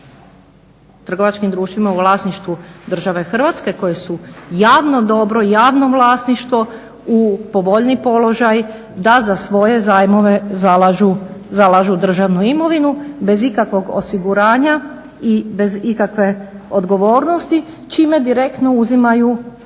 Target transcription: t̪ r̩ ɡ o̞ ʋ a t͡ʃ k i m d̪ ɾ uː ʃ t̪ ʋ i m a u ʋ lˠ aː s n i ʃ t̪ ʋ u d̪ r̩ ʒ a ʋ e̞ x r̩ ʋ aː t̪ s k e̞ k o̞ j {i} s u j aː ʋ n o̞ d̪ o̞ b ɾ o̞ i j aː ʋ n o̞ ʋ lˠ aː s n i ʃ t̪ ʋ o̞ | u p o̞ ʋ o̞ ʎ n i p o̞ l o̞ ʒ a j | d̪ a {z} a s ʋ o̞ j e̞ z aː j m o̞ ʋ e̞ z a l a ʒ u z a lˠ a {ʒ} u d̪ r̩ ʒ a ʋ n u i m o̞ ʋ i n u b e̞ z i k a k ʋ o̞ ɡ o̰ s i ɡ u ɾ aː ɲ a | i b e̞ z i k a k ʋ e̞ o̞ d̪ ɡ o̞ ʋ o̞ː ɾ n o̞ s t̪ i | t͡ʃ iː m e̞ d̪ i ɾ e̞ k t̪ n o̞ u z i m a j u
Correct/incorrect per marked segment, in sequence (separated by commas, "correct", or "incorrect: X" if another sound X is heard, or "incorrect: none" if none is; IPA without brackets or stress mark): incorrect: e, correct, correct